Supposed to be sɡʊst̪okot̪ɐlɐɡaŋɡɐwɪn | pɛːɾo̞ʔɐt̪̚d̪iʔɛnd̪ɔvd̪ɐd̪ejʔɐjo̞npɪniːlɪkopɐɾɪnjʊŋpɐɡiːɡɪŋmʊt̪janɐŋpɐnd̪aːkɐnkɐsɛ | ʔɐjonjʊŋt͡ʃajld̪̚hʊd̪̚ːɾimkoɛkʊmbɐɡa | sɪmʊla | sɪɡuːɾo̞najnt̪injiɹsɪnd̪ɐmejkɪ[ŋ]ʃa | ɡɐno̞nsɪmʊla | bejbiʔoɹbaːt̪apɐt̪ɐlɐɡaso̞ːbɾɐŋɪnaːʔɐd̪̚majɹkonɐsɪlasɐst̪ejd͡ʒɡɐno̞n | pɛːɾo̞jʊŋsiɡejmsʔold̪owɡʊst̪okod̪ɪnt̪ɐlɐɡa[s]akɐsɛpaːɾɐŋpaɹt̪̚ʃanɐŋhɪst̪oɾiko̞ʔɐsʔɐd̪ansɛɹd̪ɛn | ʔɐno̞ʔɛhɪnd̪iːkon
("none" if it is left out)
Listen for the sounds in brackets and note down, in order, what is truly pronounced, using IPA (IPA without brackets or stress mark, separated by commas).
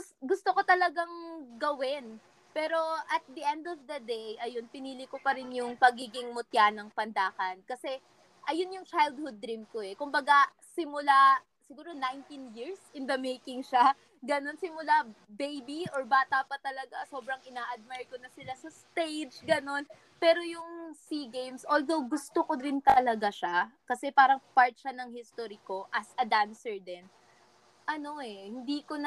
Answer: ŋ, ʃ